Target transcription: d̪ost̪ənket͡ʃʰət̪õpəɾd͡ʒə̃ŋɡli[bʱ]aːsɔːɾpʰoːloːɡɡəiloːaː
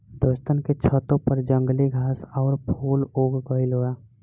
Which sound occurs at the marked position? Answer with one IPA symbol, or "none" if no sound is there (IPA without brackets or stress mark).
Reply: ɡʱ